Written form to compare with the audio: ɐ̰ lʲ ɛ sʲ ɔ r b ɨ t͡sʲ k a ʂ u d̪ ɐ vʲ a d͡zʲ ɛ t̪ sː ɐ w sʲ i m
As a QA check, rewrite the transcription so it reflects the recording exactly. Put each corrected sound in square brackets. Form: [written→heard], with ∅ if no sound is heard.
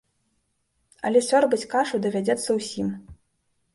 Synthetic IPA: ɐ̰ lʲ ɛ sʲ ɔ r b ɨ t͡sʲ k a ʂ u d̪ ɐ vʲ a d͡zʲ ɛ t̪ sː ɐ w sʲ i m